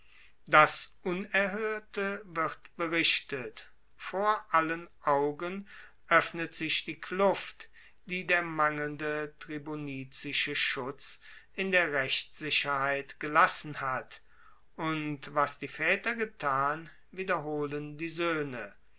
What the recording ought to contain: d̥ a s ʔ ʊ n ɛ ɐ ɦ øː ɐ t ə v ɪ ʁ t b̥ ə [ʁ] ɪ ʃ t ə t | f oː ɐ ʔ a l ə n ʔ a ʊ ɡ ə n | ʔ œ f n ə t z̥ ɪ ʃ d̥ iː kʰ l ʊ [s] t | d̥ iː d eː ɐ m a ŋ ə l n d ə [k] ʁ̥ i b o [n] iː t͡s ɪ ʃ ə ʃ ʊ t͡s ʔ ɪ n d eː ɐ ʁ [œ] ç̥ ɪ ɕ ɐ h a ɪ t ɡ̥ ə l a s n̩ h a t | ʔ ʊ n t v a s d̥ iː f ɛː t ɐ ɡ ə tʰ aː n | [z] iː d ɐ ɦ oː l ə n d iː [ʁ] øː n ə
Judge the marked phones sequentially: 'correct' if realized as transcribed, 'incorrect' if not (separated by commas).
correct, incorrect, incorrect, correct, incorrect, incorrect, incorrect